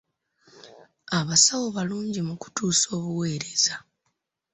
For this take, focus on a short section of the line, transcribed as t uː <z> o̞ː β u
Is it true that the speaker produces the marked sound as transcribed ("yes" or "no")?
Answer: no